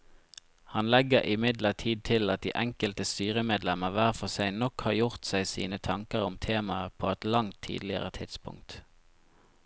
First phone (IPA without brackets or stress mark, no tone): h